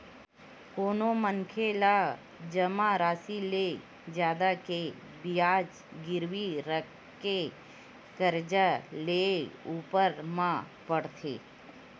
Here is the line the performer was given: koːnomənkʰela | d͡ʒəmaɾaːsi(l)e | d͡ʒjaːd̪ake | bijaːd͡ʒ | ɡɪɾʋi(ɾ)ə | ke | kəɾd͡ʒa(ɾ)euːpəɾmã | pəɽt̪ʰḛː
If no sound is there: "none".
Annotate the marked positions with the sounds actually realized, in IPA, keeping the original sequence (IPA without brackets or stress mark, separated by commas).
l, ɾ, l